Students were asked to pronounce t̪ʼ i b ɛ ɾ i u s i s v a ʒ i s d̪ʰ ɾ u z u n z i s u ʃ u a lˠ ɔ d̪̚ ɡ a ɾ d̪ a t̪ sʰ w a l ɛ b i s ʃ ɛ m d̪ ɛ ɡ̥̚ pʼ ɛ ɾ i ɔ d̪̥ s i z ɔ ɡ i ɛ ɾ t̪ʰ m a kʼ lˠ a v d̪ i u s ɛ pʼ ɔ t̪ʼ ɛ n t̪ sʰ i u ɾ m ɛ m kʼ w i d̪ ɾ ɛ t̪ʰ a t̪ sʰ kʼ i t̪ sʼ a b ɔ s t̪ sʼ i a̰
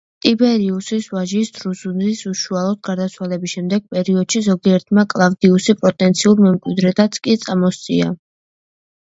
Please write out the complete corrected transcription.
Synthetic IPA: t̪ʼ i b ɛ ɾ i u s i s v a ʒ i s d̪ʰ ɾ u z u n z i s u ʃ u a lˠ ɔ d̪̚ ɡ a ɾ d̪ a t̪ sʰ w a l ɛ b i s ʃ ɛ m d̪ ɛ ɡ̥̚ pʼ ɛ ɾ i ɔ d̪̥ ʃ i z ɔ ɡ i ɛ ɾ t̪ʰ m a kʼ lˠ a v d̪ i u s i pʼ ɔ t̪ʼ ɛ n t̪ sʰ i u ɾ m ɛ m kʼ w i d̪ ɾ ɛ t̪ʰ a t̪ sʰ kʼ i t̪ sʼ a m ɔ s t̪ sʼ i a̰